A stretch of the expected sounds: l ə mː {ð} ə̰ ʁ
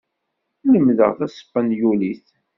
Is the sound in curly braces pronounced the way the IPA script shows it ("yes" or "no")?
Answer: yes